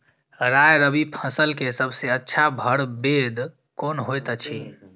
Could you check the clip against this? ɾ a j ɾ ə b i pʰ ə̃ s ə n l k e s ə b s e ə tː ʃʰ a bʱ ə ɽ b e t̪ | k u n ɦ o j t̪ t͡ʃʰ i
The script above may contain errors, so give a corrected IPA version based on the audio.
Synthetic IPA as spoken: ɾ a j ɾ ə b i pʰ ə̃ s ə l k e s ə b s e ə tː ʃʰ a bʱ ə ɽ b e d̪ | k o n ɦ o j t̪ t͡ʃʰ i